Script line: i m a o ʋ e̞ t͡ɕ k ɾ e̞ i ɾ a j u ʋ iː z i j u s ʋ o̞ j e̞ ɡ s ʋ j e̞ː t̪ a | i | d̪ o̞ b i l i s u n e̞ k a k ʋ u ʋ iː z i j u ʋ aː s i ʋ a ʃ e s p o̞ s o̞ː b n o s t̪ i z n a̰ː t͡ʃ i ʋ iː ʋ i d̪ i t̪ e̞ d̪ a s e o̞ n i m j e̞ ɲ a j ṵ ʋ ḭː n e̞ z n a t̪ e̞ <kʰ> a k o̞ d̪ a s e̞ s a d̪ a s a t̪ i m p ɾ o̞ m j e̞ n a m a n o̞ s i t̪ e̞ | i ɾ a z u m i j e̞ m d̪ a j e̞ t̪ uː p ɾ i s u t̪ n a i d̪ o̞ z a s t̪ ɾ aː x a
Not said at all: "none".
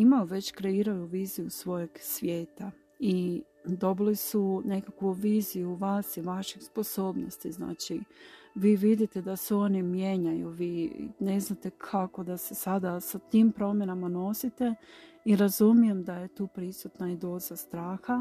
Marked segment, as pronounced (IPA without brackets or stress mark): kʰ